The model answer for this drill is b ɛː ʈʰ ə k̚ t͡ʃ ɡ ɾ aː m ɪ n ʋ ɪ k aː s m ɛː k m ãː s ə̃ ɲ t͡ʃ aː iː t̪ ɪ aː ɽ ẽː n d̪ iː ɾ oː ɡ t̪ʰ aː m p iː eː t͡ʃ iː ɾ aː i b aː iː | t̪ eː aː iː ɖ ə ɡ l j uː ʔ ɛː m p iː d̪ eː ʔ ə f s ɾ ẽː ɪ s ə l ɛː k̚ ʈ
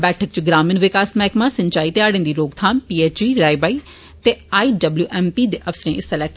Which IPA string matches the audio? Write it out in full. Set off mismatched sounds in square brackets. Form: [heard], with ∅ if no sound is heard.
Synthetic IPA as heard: b ɛː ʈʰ ə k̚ t͡ʃ ɡ ɾ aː m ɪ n ʋ ɪ k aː s m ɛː k m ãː s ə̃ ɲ t͡ʃ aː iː t̪ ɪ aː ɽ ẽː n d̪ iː ɾ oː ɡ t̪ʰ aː m p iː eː t͡ʃ iː ɾ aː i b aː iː | t̪ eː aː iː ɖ ə [b] l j uː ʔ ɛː m p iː d̪ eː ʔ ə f s ɾ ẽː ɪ s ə l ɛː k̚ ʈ